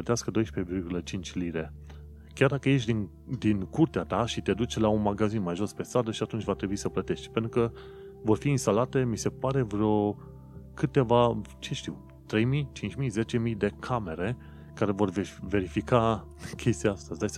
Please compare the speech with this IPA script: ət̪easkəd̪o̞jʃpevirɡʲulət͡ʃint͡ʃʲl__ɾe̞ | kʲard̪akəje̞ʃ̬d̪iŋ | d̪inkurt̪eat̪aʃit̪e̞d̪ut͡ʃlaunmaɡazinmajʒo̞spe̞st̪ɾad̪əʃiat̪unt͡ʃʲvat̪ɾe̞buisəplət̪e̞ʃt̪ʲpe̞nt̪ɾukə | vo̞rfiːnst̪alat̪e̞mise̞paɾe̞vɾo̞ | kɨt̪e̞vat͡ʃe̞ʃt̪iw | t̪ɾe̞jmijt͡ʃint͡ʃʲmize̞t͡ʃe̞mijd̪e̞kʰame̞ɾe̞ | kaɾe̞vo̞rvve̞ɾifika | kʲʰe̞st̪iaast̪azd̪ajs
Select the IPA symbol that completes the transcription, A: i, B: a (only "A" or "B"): A